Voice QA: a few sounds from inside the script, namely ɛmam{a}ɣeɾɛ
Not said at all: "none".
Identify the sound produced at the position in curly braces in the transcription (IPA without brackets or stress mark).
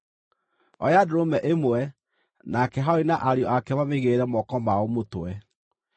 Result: e